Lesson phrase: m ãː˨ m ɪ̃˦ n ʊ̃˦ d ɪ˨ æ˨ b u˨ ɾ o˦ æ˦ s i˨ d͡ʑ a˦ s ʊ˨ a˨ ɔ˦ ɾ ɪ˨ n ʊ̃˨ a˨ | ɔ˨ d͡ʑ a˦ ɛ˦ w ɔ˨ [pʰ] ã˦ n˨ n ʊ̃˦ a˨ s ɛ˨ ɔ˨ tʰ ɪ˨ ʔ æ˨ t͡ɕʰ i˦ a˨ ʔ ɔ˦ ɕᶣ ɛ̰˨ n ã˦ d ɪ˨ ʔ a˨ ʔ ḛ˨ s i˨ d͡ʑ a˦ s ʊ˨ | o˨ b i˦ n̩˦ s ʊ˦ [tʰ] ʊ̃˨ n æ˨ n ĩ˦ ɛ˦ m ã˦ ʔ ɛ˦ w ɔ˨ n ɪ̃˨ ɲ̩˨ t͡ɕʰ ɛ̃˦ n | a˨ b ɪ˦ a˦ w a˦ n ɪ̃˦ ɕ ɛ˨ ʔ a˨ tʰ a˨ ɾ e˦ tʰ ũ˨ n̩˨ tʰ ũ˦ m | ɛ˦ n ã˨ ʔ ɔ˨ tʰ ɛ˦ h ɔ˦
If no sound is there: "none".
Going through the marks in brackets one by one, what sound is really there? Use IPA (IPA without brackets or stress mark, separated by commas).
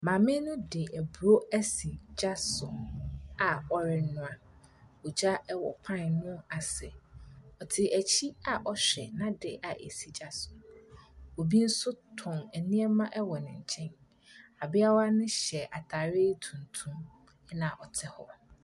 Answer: pʰ, tʰ